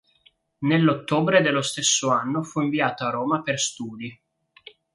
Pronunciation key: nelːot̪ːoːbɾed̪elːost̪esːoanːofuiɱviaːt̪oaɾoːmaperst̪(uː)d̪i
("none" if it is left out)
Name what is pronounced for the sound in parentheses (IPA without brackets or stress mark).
uː